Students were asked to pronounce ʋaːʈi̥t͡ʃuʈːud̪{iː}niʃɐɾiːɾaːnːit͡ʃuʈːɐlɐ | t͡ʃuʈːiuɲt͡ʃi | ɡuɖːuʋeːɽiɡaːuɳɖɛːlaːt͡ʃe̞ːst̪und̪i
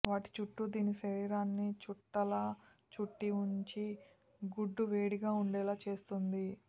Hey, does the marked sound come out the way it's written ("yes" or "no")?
yes